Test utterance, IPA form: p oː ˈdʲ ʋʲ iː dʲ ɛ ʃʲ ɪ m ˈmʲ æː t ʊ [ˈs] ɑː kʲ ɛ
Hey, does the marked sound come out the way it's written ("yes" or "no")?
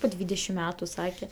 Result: yes